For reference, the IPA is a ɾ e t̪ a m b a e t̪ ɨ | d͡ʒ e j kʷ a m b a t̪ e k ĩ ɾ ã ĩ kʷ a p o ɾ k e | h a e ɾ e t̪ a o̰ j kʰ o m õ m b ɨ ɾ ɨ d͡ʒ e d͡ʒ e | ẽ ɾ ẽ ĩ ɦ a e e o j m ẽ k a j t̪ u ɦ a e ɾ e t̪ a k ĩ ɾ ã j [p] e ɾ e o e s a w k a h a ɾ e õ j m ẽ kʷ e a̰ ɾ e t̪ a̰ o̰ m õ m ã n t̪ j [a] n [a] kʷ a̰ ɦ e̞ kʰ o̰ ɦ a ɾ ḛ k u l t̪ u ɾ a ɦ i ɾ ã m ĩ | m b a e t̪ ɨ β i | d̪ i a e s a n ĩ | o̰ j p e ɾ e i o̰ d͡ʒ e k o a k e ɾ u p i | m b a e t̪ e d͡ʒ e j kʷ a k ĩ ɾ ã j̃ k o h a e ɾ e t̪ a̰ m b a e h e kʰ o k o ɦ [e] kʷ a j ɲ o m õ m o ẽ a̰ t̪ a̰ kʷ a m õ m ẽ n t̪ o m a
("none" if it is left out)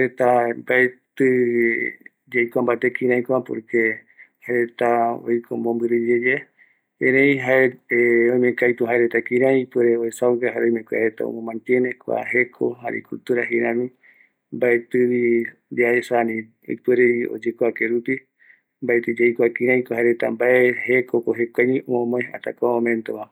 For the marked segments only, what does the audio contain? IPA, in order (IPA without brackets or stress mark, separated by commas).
p, e, e, e